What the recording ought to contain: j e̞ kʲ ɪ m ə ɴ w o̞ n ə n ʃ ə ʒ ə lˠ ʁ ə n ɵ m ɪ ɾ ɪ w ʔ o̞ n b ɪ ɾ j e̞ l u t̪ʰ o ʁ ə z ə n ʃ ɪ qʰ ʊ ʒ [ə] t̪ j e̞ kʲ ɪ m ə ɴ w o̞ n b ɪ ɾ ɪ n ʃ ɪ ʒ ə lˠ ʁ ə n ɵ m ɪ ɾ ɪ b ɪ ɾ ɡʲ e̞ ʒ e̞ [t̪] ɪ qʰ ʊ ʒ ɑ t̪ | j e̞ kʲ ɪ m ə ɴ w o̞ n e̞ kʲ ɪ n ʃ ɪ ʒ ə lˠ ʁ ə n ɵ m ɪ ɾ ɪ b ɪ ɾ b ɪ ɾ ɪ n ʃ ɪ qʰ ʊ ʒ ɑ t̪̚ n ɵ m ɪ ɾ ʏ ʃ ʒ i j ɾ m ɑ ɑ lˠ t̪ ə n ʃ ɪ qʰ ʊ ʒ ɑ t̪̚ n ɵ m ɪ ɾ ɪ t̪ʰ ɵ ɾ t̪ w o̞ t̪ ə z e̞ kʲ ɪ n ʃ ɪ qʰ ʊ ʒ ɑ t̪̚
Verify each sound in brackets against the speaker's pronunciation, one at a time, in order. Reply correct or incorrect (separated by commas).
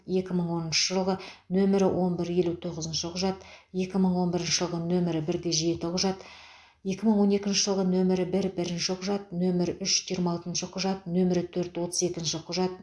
incorrect, correct